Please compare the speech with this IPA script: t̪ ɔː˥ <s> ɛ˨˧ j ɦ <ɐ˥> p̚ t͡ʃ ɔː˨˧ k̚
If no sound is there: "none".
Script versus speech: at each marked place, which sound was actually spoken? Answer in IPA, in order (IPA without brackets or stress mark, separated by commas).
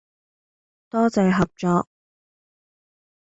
t͡s, ɐ˨